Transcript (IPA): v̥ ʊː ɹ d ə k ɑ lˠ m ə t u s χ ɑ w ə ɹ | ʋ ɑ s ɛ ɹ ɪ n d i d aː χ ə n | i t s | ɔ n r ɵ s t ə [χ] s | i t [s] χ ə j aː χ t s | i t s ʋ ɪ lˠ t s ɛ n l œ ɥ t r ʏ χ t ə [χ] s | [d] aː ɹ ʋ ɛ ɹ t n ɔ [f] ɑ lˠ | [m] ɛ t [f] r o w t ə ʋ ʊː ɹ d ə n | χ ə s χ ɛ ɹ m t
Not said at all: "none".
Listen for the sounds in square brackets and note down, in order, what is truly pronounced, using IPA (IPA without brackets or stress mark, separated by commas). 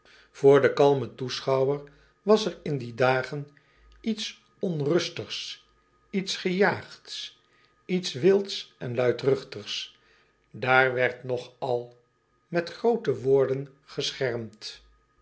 χ, s, χ, d, χ, m, χ